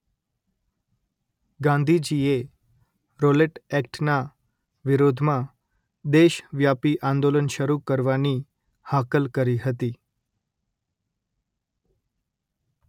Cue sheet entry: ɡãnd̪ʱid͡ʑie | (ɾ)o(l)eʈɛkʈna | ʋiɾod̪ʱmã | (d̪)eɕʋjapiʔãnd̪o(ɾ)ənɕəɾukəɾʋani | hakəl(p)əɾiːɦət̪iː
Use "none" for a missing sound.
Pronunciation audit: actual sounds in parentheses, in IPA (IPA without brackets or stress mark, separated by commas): ɾ, l, d̪, l, k